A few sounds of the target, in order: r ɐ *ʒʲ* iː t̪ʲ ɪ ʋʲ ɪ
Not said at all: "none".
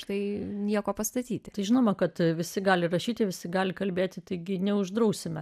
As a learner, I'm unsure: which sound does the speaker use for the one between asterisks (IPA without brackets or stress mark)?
ʃʲ